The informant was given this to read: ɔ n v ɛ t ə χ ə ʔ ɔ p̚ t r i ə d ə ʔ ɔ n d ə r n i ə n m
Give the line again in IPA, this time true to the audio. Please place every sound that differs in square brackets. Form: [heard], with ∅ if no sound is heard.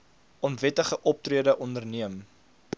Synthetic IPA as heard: ɔ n v ɛ t ə χ ə ʔ ɔ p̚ t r i ə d ə ʔ ɔ n d ə r n i ə [∅] m